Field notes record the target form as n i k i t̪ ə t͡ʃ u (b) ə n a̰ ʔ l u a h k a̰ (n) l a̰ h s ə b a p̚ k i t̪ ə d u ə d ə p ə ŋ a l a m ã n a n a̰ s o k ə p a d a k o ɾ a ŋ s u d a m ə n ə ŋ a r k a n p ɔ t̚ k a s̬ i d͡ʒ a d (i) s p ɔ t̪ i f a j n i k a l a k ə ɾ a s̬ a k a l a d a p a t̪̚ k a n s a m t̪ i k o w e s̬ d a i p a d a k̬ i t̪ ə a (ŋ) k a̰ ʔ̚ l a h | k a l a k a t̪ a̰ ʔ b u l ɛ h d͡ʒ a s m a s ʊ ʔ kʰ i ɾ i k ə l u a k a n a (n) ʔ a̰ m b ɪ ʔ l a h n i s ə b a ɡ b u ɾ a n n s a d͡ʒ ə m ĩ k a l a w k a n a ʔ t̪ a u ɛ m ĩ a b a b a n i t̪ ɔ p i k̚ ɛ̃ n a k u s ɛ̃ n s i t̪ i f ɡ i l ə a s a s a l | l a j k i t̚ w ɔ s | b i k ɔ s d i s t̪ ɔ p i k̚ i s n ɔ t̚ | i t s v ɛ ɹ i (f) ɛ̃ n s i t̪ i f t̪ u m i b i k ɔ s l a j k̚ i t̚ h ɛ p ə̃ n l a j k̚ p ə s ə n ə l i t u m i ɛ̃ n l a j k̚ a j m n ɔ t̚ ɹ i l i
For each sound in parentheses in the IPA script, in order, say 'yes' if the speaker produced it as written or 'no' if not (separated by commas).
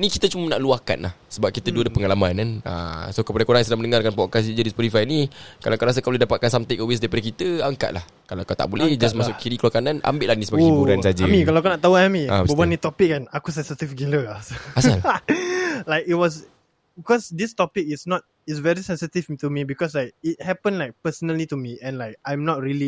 no, yes, yes, yes, yes, no